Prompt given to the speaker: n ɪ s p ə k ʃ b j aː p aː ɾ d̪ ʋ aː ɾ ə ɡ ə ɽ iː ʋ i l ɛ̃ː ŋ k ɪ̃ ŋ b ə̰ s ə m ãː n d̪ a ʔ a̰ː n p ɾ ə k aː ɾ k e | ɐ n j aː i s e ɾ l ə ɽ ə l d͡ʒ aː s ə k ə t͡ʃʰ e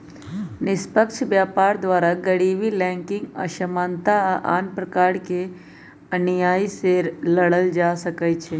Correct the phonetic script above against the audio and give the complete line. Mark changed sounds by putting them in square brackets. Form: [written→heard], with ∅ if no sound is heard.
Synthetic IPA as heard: n ɪ s p ə k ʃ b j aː p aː ɾ d̪ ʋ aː ɾ [ə→a] ɡ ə ɽ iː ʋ i l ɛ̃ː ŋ k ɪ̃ ŋ [b→ɡ] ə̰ [s→ʃ] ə m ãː n [d̪→t̪] a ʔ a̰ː n p ɾ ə k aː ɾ k e | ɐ n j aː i s e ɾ l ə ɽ ə l d͡ʒ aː s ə k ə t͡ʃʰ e